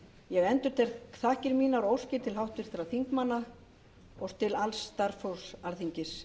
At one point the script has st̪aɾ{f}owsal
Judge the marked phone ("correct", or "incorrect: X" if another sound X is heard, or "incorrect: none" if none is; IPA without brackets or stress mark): correct